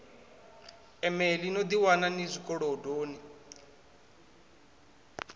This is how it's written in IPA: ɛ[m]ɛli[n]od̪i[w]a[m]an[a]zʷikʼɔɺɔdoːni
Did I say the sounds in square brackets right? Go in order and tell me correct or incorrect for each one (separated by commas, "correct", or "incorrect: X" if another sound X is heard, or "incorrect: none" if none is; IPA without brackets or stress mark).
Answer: correct, correct, correct, incorrect: n, incorrect: i